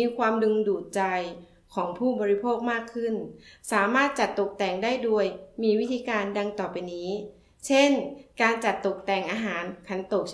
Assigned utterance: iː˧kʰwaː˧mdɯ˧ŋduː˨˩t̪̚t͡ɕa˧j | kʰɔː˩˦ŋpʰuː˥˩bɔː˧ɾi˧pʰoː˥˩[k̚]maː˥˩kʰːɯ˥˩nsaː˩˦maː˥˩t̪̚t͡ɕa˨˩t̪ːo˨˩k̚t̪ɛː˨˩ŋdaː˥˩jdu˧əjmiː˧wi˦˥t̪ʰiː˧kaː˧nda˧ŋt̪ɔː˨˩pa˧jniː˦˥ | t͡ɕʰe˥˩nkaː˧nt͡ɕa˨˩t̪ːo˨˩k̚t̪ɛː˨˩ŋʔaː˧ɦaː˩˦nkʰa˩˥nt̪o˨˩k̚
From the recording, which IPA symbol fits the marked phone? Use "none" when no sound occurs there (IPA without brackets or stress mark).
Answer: k̚